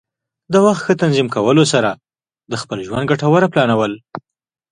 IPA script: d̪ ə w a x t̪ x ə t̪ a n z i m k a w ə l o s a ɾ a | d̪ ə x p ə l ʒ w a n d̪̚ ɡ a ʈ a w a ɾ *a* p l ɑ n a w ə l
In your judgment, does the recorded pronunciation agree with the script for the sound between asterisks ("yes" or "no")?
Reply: yes